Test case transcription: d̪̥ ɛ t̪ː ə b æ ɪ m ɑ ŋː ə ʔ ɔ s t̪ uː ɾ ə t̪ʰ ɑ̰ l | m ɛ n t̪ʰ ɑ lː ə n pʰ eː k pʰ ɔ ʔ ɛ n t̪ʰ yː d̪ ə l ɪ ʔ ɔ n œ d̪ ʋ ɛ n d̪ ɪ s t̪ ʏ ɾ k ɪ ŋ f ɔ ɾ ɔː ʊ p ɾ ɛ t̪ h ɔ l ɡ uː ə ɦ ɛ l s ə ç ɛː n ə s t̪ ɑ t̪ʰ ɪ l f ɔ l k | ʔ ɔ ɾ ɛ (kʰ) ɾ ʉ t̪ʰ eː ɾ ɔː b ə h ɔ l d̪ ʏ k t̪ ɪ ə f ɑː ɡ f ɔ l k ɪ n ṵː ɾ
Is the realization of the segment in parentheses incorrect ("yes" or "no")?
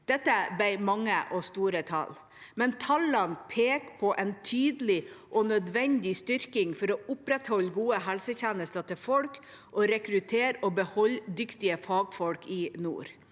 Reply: yes